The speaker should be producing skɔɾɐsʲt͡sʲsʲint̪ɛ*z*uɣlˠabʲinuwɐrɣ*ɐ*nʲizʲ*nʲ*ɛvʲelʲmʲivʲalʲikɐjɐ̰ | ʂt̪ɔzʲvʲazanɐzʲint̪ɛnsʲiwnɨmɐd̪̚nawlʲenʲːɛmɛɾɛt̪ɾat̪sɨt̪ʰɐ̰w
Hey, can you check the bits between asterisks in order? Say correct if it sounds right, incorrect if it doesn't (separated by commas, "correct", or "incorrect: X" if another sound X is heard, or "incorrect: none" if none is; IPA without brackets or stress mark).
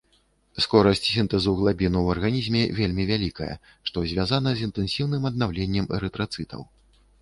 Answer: correct, incorrect: a, incorrect: mʲ